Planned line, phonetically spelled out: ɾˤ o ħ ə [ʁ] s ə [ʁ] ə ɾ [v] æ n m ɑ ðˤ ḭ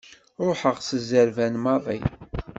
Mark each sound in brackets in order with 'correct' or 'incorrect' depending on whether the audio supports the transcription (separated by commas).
correct, incorrect, correct